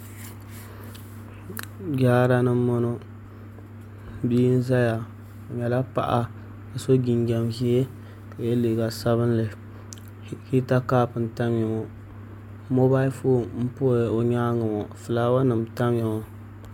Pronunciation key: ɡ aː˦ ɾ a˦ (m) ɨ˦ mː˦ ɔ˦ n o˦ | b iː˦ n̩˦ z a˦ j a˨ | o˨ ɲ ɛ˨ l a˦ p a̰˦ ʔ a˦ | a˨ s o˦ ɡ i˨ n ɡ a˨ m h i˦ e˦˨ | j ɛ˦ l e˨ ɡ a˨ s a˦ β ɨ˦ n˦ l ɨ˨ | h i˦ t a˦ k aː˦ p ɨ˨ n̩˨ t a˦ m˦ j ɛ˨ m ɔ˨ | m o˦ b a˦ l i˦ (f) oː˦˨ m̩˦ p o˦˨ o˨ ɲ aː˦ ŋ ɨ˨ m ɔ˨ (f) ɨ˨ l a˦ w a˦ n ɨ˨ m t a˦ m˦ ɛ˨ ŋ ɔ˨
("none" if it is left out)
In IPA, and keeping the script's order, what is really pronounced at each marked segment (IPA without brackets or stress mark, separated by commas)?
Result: n, f, f